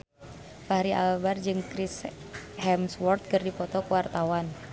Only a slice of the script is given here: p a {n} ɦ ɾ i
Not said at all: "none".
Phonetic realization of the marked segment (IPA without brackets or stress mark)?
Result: none